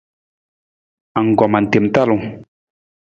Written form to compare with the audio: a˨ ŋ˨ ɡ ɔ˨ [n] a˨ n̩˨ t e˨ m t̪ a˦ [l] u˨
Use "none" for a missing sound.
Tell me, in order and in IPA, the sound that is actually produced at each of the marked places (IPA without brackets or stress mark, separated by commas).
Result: m, l